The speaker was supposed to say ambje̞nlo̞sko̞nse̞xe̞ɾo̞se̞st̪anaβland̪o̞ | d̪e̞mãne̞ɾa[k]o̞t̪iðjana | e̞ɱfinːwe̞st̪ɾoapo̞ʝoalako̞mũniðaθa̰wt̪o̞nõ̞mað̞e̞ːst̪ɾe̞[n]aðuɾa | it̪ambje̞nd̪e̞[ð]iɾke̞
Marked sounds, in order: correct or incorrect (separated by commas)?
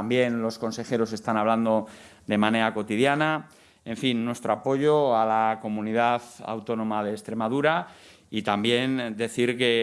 correct, incorrect, incorrect